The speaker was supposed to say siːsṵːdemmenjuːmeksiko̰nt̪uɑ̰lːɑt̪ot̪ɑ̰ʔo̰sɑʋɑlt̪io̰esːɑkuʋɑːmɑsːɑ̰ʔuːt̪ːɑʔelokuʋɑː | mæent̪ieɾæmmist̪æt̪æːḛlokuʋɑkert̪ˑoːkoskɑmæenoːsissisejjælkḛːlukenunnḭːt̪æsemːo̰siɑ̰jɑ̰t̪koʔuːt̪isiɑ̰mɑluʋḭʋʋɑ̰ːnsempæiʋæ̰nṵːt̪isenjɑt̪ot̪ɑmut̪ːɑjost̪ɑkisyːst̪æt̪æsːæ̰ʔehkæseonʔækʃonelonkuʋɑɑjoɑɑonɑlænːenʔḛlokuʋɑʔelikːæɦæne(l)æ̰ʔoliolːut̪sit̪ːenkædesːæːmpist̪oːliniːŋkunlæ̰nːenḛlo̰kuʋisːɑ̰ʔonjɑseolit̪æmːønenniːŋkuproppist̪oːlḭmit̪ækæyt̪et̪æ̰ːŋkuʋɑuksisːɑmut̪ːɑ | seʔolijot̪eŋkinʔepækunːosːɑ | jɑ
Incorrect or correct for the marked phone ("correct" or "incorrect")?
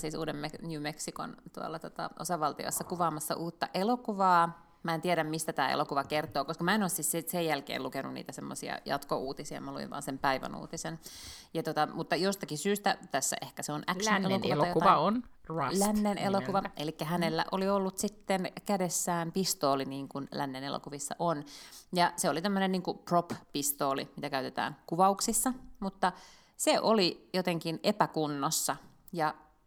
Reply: incorrect